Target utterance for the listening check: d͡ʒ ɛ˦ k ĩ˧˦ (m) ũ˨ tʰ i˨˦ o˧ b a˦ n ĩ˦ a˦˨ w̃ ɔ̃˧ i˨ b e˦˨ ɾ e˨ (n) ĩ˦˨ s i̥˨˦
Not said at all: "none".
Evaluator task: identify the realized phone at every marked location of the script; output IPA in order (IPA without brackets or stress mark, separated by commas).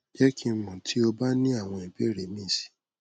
m, m